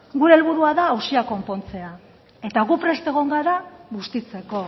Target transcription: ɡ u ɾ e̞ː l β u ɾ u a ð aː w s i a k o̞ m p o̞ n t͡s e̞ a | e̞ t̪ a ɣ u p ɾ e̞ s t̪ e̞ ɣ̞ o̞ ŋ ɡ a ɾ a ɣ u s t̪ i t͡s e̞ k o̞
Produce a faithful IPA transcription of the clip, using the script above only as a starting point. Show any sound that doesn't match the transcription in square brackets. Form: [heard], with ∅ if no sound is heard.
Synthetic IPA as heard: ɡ u ɾ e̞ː l β u ɾ u a ð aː w s i a k o̞ m p o̞ n t͡s e̞ a | e̞ t̪ a ɣ u p ɾ e̞ s t̪ e̞ ɣ̞ o̞ ŋ ɡ a ɾ a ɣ u s t̪ i t͡s e̞ k o̞